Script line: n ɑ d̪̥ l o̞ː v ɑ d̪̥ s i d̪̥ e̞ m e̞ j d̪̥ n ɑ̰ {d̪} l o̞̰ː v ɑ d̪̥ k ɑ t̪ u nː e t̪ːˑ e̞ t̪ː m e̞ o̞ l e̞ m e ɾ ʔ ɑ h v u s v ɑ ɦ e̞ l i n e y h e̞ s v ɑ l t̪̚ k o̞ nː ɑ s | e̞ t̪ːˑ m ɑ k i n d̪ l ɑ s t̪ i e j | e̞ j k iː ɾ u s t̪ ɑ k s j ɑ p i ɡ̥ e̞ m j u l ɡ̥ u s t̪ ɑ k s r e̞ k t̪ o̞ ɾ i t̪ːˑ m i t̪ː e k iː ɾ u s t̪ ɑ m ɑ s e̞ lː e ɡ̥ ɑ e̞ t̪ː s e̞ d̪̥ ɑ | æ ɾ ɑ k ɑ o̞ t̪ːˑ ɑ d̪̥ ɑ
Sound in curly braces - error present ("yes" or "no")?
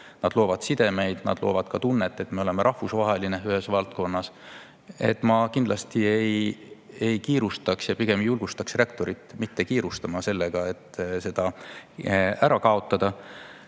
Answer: no